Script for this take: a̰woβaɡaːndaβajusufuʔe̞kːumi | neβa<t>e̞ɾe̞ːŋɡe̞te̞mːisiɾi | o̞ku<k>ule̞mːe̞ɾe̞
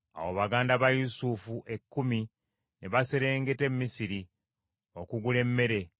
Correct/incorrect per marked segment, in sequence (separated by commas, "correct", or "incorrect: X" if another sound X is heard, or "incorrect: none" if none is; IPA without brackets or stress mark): incorrect: s, incorrect: ɡ